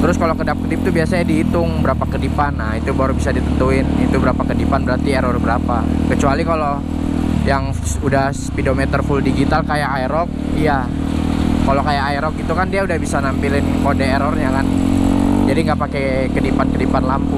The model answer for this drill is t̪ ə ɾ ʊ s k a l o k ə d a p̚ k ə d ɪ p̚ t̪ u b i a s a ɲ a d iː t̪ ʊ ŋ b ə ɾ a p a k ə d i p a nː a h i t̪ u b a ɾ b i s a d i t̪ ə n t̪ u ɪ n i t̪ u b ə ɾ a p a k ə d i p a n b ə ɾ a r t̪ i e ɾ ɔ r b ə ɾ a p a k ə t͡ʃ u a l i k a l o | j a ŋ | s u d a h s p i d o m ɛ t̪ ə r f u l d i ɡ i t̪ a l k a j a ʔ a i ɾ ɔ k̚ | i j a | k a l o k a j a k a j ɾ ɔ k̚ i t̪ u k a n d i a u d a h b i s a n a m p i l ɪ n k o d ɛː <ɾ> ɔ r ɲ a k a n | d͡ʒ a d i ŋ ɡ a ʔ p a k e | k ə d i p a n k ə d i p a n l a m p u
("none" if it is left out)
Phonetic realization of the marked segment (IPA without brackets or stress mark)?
ɾ